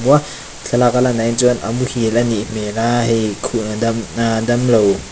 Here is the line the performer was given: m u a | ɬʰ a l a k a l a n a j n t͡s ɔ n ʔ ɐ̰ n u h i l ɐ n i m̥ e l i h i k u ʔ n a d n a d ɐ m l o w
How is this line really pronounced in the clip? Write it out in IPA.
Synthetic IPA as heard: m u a | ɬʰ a l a k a l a n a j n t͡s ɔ n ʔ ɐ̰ m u h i l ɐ n i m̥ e l a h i kʰ u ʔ n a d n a d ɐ m l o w